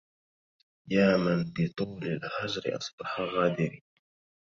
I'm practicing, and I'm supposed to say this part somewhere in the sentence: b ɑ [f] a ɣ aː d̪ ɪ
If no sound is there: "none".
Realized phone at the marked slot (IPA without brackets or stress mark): ħ